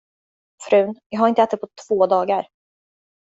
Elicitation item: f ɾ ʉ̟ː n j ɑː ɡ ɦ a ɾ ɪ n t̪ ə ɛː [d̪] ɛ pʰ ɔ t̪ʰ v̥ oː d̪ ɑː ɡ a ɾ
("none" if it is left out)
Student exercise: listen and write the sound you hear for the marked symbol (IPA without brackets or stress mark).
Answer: t̪